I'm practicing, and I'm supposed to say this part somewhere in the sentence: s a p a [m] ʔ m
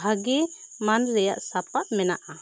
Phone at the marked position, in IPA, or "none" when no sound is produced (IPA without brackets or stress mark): none